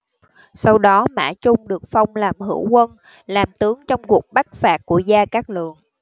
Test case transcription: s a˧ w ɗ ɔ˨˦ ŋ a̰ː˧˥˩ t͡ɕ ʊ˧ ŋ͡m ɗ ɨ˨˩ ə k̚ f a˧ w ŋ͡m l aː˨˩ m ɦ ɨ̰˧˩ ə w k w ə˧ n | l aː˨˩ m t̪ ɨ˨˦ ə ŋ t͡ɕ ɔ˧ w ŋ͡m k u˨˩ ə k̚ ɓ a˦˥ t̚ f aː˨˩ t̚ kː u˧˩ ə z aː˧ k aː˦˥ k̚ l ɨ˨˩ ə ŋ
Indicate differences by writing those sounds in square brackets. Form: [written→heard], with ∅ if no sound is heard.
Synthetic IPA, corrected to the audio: s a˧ w ɗ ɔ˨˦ [ŋ→m] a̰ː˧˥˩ t͡ɕ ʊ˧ ŋ͡m ɗ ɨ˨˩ ə k̚ f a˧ w ŋ͡m l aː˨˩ m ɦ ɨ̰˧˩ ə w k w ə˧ n | l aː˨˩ m t̪ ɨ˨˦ ə ŋ t͡ɕ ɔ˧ w ŋ͡m k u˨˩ ə k̚ ɓ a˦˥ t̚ f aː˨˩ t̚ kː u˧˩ ə z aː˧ k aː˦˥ k̚ l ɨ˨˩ ə ŋ